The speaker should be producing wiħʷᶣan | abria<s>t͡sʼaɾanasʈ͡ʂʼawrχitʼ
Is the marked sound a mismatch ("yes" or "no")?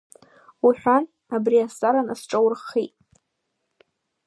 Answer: no